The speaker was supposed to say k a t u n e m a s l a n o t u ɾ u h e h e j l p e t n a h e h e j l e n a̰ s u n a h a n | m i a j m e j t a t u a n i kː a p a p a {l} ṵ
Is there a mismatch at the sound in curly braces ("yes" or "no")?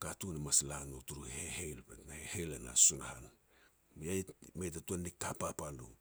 no